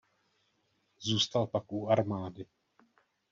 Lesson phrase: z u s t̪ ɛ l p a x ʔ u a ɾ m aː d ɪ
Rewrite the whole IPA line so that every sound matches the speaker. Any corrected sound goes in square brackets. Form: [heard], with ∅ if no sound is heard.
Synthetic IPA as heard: z [uː] s t̪ [a] l p a [k] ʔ u a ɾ m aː d ɪ